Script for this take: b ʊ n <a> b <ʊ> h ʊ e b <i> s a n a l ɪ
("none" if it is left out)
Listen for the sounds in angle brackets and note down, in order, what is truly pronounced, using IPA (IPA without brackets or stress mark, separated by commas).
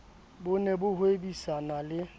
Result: ɛ, ʊ, i